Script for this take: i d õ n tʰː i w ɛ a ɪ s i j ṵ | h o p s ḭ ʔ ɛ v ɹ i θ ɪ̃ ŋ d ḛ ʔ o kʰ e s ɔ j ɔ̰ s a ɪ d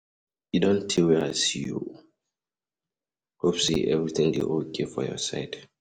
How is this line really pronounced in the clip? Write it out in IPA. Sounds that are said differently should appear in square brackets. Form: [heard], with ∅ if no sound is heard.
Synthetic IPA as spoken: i d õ n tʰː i w ɛ a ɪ s i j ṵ | h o p s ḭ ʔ ɛ v ɹ i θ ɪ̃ ŋ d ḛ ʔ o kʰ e [f] ɔ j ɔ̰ s a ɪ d

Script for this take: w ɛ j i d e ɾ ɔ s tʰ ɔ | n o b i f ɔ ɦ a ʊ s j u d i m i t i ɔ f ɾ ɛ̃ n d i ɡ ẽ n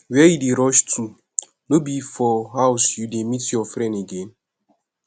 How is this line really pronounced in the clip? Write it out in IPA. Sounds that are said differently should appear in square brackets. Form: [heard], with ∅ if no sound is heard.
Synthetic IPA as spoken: w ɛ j i d e ɾ ɔ [ʃ] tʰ [u] | n o b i f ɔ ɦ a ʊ s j u d [e] m i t [j] ɔ f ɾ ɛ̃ n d [e] ɡ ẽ n

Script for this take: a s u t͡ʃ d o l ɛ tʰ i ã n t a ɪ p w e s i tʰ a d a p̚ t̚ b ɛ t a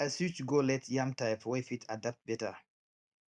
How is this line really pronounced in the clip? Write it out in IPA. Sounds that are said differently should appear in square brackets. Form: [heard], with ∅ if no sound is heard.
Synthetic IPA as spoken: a s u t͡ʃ [ɡ] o l ɛ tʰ [j] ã [m] t a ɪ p w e [f] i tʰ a d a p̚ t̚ b ɛ t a

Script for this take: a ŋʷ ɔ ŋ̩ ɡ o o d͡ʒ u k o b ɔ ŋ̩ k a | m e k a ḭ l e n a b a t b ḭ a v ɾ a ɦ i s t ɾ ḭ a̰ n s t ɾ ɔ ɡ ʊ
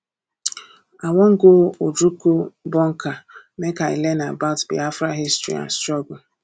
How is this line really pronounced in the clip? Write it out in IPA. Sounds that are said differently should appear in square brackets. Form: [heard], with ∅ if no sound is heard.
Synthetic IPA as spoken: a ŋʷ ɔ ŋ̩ ɡ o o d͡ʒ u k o b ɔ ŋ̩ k a | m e k a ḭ l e n a b a t b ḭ a [f] ɾ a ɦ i s t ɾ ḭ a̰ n s t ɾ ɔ ɡ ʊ

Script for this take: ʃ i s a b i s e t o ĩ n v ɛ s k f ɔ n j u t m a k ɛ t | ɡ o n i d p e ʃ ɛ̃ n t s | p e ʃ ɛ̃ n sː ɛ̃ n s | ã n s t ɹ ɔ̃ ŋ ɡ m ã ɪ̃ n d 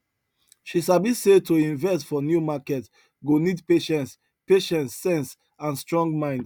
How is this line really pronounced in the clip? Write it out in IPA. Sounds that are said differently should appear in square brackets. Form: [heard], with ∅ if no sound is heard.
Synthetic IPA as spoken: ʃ i s a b i s e t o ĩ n v ɛ s [t] f ɔ n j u [∅] m a k ɛ t | ɡ o n i d p e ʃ ɛ̃ n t s | p e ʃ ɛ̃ n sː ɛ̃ n s | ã n s t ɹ ɔ̃ ŋ ɡ m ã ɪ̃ n d

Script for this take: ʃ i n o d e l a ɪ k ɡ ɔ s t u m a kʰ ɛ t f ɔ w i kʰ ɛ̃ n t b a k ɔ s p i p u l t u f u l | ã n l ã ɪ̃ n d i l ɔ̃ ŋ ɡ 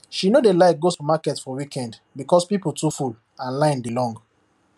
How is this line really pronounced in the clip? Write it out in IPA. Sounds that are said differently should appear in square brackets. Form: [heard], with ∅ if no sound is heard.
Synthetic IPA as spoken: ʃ i n o d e l a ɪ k ɡ [o] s t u m a [k] ɛ t f ɔ w i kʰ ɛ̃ n [d] b [i] k ɔ s p i p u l t u f u l | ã n l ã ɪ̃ n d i l ɔ̃ ŋ ɡ

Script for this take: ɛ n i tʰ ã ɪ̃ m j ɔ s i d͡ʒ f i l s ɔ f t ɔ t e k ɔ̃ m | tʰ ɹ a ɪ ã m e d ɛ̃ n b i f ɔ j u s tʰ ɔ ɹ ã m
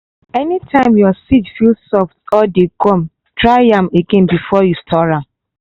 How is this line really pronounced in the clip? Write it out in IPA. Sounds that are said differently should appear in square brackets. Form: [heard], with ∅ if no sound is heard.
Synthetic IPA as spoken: ɛ n i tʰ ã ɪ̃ m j ɔ s i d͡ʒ f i l s ɔ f t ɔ [d] e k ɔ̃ m | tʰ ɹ a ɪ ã m e [ɡ] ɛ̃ n b i f ɔ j u s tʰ ɔ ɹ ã m

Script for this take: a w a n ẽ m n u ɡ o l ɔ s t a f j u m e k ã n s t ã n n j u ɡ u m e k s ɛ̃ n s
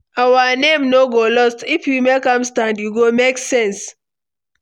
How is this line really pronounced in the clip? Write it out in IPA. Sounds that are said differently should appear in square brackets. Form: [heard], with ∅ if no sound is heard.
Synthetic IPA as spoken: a w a n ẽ m n [o] ɡ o l ɔ s t [i] f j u m e k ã [m] s t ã n [d] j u ɡ [o] m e k s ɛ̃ n s

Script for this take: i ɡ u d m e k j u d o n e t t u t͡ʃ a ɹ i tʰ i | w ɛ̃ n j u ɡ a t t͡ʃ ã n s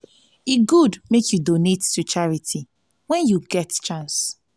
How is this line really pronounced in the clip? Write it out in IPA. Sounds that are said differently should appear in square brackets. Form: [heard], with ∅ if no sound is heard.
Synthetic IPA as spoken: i ɡ u d m e k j u d o n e t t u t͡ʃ a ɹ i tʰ i | w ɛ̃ n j u ɡ [ɛ] t t͡ʃ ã n s

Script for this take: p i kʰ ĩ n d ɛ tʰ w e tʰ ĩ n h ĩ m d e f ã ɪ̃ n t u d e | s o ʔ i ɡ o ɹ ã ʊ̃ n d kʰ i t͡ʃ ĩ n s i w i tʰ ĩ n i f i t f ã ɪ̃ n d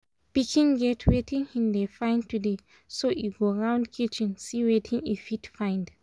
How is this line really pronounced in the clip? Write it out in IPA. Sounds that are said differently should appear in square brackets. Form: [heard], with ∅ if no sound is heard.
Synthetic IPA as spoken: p i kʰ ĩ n [ɡ] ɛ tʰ w e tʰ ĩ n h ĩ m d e f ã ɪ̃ n t u d e | s o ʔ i ɡ o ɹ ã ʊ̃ n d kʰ i t͡ʃ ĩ n s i w [e] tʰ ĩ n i f i t f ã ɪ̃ n d

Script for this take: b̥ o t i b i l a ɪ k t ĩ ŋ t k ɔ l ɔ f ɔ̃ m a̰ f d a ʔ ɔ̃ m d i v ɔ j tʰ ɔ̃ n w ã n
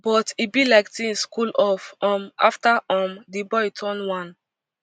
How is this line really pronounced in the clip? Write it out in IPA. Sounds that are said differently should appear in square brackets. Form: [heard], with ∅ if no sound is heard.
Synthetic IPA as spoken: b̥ [ɔ] t i b i l a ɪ k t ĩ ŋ [s] k [u] l ɔ f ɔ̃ m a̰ f [t] a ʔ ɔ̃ m d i [b] ɔ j tʰ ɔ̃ n w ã n

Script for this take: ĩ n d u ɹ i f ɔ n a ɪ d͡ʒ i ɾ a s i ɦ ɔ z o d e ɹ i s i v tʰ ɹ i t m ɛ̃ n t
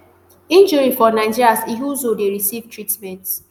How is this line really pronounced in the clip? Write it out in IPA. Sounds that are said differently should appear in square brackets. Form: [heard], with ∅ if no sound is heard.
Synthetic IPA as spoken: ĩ n [d͡ʒ] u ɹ i f ɔ n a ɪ d͡ʒ i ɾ a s i ɦ [u] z o d e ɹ i s i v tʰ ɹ i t m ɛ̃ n t

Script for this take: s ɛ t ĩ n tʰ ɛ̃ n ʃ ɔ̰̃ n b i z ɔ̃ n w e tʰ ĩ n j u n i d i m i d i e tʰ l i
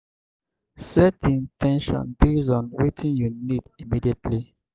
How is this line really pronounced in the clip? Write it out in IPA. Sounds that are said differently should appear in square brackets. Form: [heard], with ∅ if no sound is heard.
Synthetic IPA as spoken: s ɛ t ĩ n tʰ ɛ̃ n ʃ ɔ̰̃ n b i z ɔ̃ n w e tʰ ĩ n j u n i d i m i d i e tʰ l i

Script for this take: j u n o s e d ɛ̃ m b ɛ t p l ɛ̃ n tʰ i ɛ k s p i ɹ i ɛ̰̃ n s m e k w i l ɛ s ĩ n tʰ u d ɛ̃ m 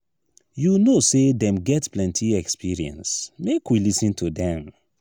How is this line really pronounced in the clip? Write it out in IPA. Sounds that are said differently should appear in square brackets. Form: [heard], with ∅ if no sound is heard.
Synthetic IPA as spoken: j u n o s e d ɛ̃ m [ɡ] ɛ t p l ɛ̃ n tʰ i ɛ k s p i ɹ i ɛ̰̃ n s m e k w i l [i] s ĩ n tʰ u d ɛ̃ m

